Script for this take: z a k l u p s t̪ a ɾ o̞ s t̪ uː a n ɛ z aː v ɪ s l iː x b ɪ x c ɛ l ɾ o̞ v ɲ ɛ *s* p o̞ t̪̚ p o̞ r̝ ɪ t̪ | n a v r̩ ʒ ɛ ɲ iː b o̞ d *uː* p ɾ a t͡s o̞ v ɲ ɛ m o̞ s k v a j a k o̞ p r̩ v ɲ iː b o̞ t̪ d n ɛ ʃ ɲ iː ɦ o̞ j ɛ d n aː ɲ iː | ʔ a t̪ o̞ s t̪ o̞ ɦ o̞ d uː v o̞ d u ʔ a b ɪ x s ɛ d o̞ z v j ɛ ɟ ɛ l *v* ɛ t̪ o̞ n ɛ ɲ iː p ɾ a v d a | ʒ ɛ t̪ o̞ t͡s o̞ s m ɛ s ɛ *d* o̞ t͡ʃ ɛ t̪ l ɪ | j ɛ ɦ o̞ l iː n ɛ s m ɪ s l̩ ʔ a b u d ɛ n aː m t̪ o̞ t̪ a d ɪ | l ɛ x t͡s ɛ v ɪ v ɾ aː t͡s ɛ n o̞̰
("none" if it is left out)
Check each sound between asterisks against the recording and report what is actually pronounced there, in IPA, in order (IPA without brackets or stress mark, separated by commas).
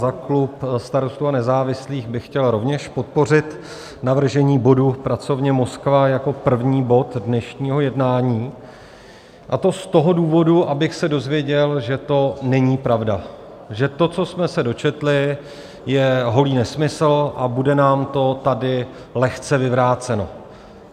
ʃ, u, ʒ, d